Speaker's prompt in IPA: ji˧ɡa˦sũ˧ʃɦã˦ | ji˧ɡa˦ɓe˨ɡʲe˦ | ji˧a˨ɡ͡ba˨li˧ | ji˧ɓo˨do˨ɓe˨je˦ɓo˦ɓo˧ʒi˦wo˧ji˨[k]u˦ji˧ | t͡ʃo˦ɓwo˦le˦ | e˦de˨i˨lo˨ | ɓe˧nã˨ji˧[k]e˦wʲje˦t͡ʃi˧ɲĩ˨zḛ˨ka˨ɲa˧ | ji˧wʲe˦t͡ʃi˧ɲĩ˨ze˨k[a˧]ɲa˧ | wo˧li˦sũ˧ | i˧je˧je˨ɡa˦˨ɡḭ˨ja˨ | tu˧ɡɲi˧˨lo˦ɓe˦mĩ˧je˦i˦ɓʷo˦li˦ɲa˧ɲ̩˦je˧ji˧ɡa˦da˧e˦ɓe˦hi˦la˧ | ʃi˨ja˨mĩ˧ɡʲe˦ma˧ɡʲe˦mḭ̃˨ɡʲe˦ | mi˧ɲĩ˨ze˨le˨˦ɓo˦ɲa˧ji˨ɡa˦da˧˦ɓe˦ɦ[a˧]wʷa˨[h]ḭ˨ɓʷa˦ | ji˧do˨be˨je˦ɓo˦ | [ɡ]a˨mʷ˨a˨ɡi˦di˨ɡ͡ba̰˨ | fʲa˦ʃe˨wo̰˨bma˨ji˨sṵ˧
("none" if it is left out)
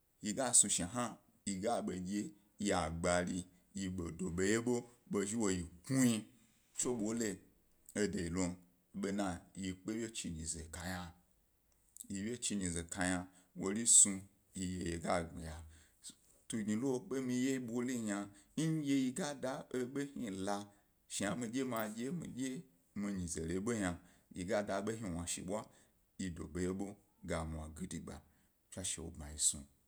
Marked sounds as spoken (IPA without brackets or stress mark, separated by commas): k, k͡p, a˧, i˧, ʃ, ɡ